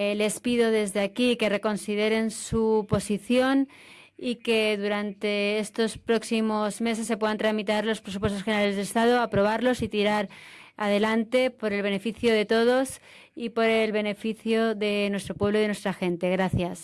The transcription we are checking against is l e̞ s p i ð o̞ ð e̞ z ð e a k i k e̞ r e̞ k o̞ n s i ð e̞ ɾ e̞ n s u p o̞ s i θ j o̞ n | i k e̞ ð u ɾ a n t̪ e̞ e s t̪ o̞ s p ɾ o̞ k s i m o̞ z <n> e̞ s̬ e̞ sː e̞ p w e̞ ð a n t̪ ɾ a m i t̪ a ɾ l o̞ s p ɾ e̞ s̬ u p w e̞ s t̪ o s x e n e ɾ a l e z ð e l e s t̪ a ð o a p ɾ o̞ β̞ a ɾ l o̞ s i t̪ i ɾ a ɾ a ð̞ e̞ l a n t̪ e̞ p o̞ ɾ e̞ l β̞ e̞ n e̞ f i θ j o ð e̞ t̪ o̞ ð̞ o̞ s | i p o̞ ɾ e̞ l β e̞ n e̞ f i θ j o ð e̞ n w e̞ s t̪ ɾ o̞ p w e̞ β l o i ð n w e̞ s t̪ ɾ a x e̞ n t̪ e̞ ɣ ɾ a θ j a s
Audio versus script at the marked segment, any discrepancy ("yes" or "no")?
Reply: yes